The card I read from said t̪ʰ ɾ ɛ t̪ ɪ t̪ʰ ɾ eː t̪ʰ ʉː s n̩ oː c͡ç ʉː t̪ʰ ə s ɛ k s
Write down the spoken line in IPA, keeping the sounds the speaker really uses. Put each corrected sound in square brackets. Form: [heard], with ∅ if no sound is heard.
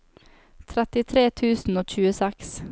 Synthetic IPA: t̪ʰ ɾ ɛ t̪ ɪ t̪ʰ ɾ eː t̪ʰ ʉː s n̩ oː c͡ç ʉː [∅] ə s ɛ k s